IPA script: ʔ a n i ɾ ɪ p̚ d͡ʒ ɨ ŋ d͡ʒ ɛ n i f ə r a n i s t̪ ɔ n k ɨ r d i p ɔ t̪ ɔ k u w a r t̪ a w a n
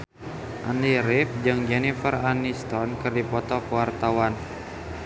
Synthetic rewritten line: ʔ a n i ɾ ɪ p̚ d͡ʒ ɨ ŋ d͡ʒ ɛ n i f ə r a n i s t̪ ɔ n k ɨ r d i p ɔ t̪ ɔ k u w a r t̪ a w a n

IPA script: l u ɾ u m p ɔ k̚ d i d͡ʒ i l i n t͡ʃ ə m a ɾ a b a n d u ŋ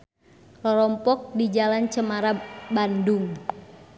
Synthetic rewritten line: l ɔ ɾ ɔ m p ɔ k̚ d i d͡ʒ a l a n t͡ʃ ə m a ɾ a b a n d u ŋ

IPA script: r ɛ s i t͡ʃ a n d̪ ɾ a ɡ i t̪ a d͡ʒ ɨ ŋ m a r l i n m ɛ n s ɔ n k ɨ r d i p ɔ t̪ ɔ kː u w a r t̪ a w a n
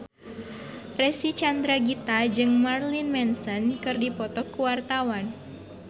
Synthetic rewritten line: r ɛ s i t͡ʃ a n d̪ ɾ a ɡ i t̪ a d͡ʒ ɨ ŋ m a r l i n m ɛ n s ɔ n k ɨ r d i p ɔ t̪ ɔ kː u w a r t̪ a w a n

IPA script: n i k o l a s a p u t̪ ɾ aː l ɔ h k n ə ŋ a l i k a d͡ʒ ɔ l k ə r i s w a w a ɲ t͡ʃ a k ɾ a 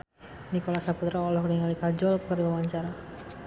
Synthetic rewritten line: n i k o l a s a p u t̪ ɾ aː l ɔ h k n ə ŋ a l i k a d͡ʒ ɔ l k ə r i w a w a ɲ t͡ʃ a ɾ a

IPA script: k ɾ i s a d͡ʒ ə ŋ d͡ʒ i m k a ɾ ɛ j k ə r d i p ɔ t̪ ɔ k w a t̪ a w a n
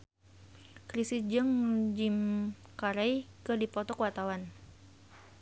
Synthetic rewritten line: k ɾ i s i d͡ʒ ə ŋ d͡ʒ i m k a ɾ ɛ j k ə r d i p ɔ t̪ ɔ k w a t̪ a w a n

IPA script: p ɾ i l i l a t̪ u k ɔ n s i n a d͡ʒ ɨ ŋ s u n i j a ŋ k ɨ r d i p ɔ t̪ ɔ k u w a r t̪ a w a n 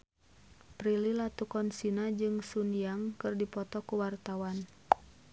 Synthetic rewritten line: p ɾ i l i l a t̪ u k ɔ n s i n a d͡ʒ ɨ ŋ s u n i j a ŋ k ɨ r d i p ɔ t̪ ɔ k u w a r t̪ a w a n

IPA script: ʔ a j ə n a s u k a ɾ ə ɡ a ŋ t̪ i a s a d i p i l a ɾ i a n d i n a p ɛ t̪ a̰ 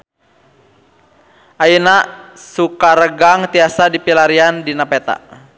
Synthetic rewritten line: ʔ a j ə n a s u k a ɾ ə ɡ a ŋ t̪ i a s a d i p i l a ɾ i a n d i n a p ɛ t̪ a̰

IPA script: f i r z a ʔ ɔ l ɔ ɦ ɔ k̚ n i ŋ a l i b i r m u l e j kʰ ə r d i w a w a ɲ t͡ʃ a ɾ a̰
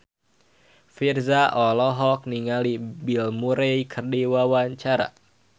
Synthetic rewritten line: f i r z a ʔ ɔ l ɔ ɦ ɔ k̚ n i ŋ a l i b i l m u ɾ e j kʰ ə r d i w a w a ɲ t͡ʃ a ɾ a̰

